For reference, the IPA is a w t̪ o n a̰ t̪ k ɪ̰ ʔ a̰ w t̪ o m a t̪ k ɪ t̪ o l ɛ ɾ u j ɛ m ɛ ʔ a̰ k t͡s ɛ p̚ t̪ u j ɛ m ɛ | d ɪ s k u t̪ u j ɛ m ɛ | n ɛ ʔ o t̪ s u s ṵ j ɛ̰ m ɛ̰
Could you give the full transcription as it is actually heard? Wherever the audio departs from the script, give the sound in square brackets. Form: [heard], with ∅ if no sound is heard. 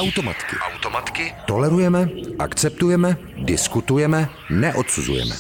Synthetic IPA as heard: a w t̪ o [m] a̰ t̪ k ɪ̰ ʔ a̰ w t̪ o m a t̪ k ɪ t̪ o l ɛ ɾ u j ɛ m ɛ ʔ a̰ k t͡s ɛ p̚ t̪ u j ɛ m ɛ | d ɪ s k u t̪ u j ɛ m ɛ | n ɛ ʔ o t̪ s u [z] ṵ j ɛ̰ m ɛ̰